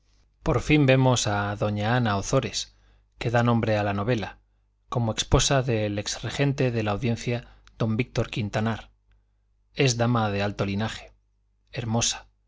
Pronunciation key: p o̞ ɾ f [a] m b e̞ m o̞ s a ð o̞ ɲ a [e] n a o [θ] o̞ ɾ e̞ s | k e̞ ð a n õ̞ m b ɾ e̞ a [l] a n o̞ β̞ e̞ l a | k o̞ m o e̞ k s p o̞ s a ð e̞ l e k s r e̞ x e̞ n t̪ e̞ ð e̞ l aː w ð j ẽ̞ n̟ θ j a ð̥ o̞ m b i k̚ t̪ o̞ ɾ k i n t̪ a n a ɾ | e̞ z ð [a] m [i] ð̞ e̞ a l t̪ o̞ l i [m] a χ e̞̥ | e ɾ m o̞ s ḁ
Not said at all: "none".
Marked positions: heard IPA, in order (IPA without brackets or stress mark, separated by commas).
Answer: i, a, θ, l, a, a, n